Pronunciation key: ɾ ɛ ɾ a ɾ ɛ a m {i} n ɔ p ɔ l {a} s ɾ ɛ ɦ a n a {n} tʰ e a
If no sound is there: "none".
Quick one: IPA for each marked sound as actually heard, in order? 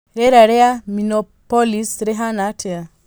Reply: i, i, none

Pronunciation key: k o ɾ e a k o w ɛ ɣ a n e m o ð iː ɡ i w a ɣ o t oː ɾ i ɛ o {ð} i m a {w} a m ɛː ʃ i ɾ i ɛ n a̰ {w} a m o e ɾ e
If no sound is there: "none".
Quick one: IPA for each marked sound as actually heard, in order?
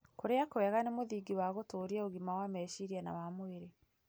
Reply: ɣ, w, w

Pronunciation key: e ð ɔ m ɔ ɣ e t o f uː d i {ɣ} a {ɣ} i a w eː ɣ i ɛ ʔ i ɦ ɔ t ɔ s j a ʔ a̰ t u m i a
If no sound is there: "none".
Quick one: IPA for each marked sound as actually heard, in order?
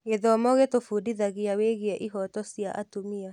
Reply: ð, ɣ

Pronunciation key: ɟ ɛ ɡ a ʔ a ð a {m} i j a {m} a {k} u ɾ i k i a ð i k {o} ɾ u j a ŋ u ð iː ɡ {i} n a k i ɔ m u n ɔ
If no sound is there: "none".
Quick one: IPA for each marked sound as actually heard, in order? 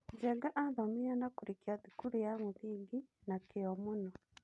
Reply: m, n, k, u, i

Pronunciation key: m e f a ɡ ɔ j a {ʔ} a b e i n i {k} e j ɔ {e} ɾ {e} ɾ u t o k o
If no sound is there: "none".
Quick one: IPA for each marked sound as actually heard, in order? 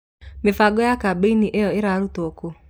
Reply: k, ʔ, e, a

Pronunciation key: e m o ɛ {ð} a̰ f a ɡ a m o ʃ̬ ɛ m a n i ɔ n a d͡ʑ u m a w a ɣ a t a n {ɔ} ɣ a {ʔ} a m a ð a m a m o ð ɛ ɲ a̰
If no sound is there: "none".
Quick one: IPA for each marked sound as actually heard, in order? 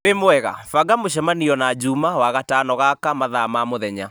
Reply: ɣ, ɔ, k

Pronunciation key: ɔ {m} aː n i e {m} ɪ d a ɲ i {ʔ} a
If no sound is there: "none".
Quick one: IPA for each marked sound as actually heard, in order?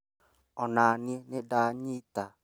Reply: n, n, t

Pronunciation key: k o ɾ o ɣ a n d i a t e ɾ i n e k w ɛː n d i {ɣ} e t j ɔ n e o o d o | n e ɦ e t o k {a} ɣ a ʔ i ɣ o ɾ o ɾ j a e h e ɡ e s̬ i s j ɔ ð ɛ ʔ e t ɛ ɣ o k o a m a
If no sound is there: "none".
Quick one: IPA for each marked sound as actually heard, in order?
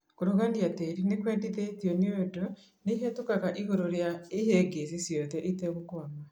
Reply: ð, a

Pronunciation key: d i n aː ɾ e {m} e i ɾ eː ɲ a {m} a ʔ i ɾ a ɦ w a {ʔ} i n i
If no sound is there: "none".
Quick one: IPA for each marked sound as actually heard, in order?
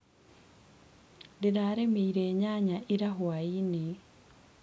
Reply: m, ɲ, none

